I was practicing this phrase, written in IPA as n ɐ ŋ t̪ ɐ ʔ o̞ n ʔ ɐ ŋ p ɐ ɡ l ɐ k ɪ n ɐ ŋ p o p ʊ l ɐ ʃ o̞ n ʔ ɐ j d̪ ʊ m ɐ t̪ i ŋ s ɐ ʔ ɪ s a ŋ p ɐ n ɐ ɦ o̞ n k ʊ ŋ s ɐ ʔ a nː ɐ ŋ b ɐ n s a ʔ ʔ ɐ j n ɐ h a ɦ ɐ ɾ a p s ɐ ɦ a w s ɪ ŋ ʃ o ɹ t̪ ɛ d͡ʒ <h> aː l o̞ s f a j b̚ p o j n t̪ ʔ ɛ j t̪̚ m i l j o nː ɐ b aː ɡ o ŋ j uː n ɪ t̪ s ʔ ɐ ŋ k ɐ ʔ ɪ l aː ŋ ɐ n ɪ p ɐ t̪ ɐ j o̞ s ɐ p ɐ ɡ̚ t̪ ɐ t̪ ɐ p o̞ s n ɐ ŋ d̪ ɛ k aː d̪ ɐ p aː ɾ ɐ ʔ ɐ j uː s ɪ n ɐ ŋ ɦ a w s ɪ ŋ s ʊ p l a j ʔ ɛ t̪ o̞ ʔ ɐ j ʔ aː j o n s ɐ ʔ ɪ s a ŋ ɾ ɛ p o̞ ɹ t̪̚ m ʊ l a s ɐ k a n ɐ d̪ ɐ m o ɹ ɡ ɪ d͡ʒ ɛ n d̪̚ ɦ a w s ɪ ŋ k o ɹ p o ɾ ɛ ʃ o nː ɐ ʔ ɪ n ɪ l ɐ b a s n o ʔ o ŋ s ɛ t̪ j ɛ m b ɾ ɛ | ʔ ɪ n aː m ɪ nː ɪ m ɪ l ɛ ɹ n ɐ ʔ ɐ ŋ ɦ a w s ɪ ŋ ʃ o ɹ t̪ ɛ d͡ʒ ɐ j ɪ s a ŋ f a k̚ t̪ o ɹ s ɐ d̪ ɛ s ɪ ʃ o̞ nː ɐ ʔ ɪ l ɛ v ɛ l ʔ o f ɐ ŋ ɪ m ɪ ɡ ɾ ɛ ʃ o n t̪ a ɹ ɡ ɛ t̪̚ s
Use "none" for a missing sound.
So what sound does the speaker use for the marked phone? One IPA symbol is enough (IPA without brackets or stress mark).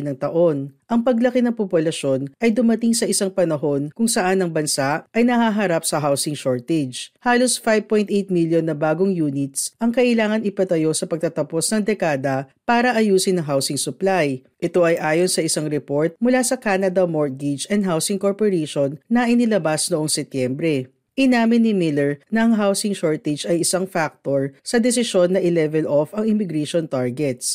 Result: h